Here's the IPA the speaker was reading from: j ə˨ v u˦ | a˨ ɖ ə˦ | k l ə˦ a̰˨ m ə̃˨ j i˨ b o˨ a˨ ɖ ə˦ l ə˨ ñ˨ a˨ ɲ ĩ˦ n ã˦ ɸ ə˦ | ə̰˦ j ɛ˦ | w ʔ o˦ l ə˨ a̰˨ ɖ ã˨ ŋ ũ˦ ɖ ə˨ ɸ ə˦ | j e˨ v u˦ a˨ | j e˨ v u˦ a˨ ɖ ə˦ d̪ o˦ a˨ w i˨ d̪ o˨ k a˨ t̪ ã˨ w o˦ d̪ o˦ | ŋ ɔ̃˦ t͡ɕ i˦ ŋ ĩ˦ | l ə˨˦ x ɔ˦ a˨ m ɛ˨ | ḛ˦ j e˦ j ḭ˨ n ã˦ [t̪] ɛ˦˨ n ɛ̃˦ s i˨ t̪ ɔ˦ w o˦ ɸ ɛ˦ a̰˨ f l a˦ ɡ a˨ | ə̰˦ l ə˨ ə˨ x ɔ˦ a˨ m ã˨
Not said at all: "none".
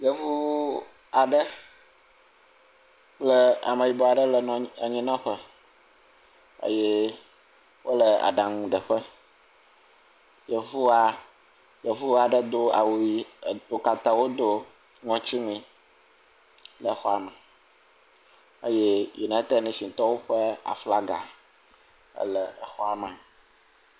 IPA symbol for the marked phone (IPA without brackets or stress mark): t̪